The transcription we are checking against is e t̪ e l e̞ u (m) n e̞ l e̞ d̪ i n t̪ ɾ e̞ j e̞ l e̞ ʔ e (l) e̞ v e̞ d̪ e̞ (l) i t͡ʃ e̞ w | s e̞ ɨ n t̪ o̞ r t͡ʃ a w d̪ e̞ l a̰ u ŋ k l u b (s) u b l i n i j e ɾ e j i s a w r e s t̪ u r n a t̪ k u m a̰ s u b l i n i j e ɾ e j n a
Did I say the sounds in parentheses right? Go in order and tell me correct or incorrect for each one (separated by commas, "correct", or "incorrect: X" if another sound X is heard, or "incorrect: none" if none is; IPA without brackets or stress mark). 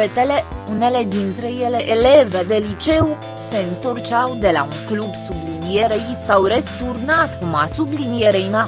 incorrect: none, correct, correct, correct